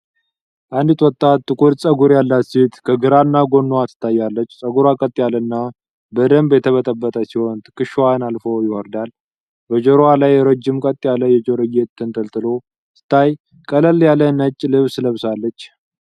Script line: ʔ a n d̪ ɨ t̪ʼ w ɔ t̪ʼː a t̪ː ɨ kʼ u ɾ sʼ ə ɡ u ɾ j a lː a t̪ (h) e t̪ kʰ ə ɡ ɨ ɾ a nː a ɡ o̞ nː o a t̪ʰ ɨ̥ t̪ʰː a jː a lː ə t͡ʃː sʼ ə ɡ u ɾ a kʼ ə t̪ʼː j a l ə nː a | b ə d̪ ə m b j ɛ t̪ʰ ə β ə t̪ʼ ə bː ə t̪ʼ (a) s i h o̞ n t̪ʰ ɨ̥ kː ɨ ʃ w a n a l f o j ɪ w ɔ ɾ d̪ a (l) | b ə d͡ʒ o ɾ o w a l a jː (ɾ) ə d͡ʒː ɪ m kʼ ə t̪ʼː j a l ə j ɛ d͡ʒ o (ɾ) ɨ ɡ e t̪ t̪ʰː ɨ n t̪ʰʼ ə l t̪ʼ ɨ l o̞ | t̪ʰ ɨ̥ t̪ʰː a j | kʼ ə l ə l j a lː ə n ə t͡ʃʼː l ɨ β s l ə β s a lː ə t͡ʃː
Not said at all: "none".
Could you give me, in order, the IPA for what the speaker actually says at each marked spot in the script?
s, ə, l, ɾ, ɾ

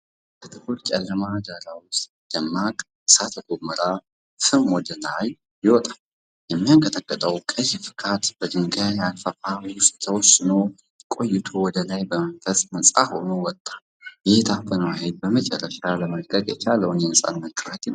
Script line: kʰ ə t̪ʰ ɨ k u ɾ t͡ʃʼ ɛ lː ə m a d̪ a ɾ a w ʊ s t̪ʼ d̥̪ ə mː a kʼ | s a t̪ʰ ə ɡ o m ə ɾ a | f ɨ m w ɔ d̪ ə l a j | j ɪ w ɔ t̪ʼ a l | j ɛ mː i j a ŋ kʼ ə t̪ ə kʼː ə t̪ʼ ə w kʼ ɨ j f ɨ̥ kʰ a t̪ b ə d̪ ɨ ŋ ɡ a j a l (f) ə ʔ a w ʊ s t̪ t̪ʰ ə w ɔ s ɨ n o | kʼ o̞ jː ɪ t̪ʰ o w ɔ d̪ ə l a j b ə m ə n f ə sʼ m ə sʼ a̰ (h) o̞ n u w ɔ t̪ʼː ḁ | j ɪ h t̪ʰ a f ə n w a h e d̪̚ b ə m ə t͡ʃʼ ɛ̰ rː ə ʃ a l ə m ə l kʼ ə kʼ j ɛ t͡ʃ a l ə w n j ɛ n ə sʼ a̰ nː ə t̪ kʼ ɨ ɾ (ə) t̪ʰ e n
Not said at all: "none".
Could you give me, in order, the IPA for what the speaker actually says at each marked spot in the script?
f, h, a

